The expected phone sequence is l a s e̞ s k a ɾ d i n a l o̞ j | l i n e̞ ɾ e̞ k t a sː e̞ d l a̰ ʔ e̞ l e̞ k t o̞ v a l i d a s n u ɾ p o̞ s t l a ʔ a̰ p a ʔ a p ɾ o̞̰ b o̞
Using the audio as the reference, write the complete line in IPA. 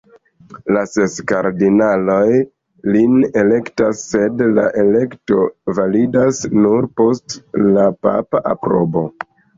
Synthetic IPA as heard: l a s e̞ s k a ɾ d i n a l o̞ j | l i n e̞ l e̞ k t a sː e̞ d l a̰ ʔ e̞ l e̞ k t o̞ v a l i d a s n u ɾ p o̞ s t l a p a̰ p a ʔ a p ɾ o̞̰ b o̞